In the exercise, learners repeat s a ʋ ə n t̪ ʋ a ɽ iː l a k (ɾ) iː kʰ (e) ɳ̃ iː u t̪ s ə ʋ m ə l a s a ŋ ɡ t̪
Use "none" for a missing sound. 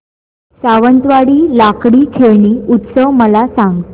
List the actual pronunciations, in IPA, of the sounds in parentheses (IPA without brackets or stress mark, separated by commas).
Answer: ɽ, e